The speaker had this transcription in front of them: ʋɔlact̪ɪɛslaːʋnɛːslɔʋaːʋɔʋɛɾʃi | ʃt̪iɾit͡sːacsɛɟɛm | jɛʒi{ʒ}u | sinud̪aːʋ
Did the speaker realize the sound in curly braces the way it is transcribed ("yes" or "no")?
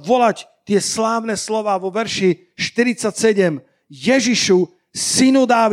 no